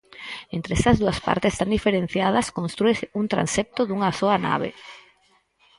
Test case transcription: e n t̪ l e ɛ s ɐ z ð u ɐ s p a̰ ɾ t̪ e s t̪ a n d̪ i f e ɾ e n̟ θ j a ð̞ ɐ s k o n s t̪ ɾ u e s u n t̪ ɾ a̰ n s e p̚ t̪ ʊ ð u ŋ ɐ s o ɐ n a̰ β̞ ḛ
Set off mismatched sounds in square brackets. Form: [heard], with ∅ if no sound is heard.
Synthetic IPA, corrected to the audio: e n t̪ [ɾ] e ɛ s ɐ z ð u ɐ s p a̰ ɾ t̪ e s t̪ a n d̪ i f e ɾ e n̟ θ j a ð̞ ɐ s k o n s t̪ ɾ u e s u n t̪ ɾ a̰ n s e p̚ t̪ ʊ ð u ŋ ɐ s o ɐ n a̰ β̞ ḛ